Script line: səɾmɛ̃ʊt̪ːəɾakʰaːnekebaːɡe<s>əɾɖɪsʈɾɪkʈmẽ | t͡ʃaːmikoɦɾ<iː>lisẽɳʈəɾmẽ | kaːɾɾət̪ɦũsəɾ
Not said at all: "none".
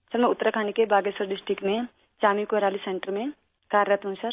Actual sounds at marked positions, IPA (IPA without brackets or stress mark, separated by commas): s, aː